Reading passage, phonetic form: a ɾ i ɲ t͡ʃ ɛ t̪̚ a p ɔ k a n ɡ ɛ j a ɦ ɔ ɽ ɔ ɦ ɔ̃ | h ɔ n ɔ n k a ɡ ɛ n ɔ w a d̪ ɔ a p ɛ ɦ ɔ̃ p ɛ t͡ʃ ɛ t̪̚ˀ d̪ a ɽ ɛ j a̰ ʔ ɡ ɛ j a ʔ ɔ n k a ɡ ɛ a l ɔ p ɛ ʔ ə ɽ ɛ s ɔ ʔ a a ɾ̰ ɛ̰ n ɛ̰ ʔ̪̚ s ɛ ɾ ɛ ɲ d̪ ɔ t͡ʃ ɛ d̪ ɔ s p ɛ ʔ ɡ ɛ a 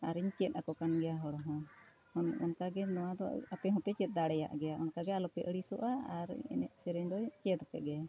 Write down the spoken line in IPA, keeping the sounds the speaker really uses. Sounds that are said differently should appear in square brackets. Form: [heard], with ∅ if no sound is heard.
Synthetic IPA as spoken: a ɾ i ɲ t͡ʃ ɛ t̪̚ a [k] ɔ k a n ɡ ɛ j a ɦ ɔ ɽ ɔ ɦ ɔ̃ | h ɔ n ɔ n k a ɡ ɛ n ɔ w a d̪ ɔ a p ɛ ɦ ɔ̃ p ɛ t͡ʃ ɛ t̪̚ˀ d̪ a ɽ ɛ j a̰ ʔ ɡ ɛ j a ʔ ɔ n k a ɡ ɛ a l ɔ p ɛ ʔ ə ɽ [i] s ɔ ʔ a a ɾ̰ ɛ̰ n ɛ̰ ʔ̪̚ s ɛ ɾ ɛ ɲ d̪ ɔ t͡ʃ ɛ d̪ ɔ [∅] p ɛ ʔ ɡ ɛ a